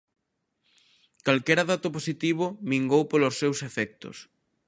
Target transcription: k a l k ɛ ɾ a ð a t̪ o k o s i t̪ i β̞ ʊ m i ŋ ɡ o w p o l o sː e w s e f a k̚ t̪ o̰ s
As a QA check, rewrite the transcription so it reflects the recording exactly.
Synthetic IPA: k a l k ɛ ɾ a ð a t̪ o p o s i t̪ i β̞ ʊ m i ŋ ɡ o w p o l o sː e w s e f ɛ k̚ t̪ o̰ s